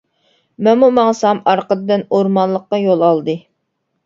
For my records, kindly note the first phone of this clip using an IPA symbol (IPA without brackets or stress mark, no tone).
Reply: m